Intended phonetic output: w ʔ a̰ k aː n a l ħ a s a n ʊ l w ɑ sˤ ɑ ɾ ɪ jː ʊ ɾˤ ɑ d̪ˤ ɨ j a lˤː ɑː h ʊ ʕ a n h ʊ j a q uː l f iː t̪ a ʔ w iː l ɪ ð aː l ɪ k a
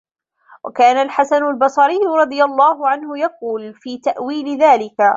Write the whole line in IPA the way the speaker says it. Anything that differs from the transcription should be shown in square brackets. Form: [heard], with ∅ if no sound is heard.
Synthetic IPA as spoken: w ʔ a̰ k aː n a l ħ a s a n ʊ l [b] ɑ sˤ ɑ ɾ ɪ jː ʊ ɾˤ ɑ d̪ˤ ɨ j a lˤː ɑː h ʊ ʕ a n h ʊ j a q uː l f iː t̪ a ʔ w iː l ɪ ð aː l ɪ k a